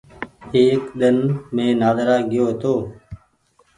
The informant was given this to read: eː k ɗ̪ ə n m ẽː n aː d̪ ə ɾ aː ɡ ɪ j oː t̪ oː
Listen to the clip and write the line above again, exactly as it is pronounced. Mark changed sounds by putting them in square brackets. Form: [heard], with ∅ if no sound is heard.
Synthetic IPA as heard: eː k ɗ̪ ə n m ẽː n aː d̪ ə ɾ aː ɡ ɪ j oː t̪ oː

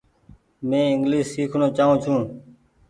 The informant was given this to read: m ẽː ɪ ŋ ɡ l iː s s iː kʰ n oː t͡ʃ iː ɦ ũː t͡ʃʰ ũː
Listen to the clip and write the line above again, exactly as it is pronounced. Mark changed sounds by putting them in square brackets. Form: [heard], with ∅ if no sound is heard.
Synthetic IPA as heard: m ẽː ɪ ŋ ɡ l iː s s iː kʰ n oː t͡ʃ [aː] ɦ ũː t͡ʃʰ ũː

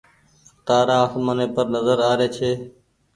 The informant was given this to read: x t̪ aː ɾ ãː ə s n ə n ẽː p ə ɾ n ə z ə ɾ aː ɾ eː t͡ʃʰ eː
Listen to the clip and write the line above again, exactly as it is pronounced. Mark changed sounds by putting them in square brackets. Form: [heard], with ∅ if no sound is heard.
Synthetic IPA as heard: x t̪ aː ɾ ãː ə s [m] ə n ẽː p ə ɾ n ə z ə ɾ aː ɾ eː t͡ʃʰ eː

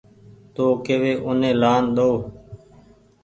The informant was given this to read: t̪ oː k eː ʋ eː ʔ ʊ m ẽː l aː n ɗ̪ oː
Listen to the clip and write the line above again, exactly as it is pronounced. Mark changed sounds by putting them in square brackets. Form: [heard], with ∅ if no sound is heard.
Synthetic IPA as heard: t̪ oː k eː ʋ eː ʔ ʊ [n] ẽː l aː n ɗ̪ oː

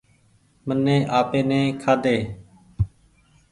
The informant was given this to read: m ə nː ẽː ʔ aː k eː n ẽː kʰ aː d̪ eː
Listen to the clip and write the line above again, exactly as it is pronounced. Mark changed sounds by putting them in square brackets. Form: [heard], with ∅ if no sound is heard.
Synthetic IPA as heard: m ə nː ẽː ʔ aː [p] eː n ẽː kʰ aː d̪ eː

